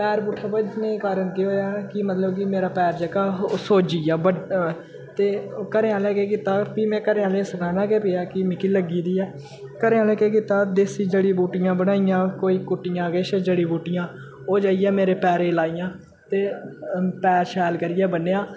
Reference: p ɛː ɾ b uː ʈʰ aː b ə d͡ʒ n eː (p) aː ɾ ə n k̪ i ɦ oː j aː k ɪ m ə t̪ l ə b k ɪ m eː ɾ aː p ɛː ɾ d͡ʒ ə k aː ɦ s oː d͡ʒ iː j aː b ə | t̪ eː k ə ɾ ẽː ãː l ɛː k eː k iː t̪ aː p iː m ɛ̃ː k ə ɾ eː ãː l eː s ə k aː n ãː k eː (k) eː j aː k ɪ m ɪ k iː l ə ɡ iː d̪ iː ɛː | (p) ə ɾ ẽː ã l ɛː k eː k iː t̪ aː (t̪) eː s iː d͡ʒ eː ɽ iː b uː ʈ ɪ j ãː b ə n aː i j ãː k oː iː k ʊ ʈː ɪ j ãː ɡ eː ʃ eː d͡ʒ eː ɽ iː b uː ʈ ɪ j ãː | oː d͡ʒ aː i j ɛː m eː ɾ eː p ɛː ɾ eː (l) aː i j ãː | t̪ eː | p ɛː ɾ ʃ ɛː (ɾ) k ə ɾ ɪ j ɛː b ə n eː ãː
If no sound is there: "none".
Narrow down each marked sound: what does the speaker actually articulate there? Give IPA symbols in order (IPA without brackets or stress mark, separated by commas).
k, p, k, d̪, l, l